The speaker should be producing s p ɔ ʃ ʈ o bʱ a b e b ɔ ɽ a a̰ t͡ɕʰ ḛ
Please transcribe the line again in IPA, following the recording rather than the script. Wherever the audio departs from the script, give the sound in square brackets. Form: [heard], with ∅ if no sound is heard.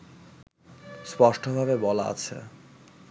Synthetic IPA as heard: s p ɔ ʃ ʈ o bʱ a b e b ɔ [l] a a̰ t͡ɕʰ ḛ